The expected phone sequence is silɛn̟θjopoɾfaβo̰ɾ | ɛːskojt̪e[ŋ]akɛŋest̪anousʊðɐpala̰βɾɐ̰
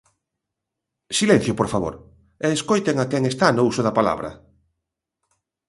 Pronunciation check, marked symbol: correct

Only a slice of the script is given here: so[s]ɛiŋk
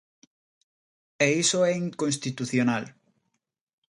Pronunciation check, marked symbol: incorrect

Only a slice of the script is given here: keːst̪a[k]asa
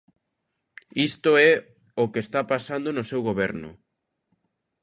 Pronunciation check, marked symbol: incorrect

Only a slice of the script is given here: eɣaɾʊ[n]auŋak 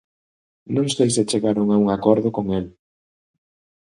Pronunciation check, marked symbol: incorrect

